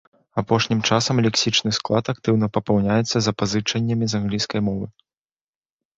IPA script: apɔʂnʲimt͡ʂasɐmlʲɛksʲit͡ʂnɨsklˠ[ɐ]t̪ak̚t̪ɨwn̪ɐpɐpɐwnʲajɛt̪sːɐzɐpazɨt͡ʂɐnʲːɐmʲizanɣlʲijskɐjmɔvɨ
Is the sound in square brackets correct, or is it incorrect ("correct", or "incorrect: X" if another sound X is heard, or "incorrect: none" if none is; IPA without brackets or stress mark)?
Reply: incorrect: a